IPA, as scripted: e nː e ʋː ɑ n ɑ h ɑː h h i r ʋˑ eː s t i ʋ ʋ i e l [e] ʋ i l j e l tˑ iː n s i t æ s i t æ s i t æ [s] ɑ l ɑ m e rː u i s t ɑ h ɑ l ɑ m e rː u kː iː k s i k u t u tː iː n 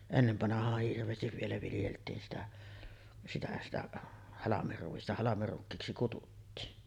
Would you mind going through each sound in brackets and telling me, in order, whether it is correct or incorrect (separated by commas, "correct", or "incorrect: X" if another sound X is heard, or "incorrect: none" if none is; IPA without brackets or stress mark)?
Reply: incorrect: æ, incorrect: h